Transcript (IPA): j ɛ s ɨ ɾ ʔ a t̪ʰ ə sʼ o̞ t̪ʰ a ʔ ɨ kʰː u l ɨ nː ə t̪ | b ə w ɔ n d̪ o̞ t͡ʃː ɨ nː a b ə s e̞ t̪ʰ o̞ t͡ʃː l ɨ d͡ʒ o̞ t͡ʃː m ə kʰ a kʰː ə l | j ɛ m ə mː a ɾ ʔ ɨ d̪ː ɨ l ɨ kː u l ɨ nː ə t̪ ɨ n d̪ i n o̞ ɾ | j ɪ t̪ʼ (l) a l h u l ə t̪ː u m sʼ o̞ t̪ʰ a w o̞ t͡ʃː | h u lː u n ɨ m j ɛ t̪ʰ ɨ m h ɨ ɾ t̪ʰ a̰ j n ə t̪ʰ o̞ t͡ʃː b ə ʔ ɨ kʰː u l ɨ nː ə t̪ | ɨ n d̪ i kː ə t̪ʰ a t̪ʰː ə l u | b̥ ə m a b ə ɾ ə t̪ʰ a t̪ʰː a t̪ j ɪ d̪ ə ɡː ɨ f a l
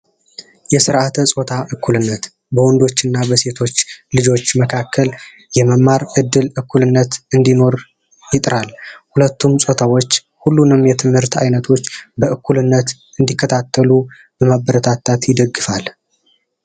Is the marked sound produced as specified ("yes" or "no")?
no